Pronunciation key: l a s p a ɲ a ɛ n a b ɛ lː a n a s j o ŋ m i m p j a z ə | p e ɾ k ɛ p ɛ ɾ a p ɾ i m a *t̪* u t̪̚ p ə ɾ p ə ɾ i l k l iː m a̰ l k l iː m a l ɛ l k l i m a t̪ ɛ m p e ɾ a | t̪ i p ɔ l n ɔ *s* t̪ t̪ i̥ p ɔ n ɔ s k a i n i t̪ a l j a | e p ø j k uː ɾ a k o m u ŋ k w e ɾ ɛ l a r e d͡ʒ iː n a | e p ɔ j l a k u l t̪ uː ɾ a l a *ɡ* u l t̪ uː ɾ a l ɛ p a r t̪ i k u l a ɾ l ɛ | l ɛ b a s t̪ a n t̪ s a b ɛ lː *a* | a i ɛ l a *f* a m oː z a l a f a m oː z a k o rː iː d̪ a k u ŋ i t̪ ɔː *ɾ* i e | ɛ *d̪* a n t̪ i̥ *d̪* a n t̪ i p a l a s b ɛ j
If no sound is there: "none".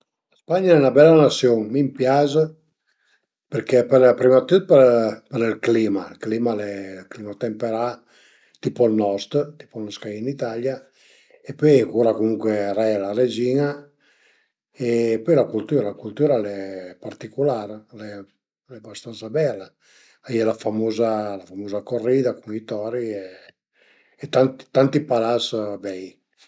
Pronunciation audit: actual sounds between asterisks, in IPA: t̪, s, k, a, f, ɾ, t̪, t̪

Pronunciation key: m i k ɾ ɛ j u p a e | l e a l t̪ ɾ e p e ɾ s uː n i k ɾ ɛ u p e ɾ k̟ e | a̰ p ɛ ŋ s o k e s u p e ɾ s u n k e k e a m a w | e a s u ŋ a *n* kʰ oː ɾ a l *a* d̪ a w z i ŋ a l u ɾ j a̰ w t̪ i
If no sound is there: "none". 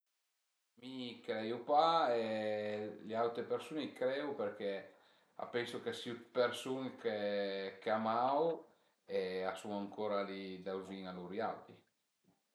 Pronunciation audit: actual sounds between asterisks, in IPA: ŋ, i

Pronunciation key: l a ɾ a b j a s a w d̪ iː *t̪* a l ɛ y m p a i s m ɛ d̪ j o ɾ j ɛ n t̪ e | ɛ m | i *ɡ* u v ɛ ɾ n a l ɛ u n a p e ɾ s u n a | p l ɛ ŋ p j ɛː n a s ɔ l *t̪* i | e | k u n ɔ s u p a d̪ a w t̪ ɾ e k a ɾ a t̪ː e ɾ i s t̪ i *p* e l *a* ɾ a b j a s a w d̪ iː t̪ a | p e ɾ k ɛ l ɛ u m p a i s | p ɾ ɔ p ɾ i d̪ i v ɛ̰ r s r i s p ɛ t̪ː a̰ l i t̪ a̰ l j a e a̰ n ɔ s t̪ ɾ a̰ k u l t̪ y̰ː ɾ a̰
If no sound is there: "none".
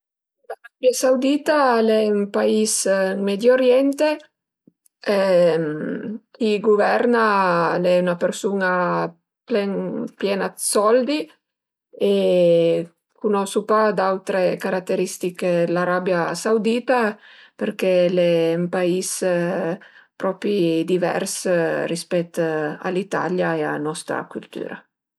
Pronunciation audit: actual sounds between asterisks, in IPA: t̪, ɡ, d̪, k, a

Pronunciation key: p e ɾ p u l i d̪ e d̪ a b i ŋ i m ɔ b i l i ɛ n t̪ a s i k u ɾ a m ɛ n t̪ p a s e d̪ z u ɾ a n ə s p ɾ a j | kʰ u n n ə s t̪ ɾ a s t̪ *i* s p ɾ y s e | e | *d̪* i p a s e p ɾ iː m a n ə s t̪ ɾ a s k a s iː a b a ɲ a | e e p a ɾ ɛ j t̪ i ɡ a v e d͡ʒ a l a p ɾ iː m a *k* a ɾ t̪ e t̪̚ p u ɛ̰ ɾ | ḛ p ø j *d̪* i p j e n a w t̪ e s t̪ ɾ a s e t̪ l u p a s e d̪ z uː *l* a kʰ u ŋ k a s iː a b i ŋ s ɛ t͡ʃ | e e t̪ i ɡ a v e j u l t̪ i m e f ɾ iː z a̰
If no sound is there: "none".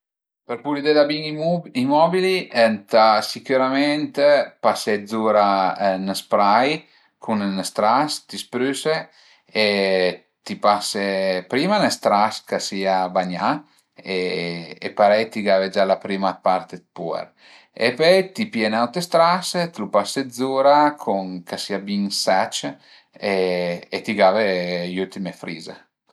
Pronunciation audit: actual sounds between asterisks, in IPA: i, t̪, p, t̪, ɾ

